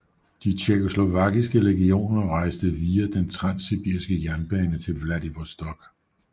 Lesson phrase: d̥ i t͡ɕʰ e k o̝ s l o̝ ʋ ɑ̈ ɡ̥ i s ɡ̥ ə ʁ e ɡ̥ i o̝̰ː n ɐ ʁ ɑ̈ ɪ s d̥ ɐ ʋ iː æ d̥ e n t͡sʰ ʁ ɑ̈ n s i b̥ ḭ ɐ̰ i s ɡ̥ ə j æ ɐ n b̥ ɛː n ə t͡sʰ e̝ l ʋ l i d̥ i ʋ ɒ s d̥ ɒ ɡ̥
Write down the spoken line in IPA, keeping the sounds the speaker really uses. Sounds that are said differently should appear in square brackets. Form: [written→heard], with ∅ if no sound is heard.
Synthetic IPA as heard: d̥ i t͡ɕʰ e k o̝ s l o̝ ʋ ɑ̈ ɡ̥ i s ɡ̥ ə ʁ e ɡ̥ i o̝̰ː n ɐ ʁ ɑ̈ ɪ s d̥ [ɐ→ə] ʋ iː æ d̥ e n t͡sʰ ʁ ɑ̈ n s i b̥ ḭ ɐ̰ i s ɡ̥ ə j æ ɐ n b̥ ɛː n ə t͡sʰ e̝ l ʋ l [i→æ] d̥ i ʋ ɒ s d̥ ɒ ɡ̥